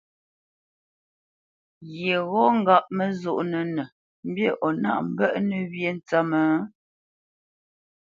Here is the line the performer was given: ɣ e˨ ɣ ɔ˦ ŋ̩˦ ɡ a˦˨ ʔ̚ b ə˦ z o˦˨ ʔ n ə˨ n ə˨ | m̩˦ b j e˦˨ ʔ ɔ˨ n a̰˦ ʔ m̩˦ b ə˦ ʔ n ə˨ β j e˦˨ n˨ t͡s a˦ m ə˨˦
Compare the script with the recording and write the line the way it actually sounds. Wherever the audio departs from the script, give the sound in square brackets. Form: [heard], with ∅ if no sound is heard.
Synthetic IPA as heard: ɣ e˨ ɣ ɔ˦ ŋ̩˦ ɡ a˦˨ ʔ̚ [m] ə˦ z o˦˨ ʔ n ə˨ n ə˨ | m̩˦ b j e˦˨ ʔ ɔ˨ n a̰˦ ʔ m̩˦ b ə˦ ʔ n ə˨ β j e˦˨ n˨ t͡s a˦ m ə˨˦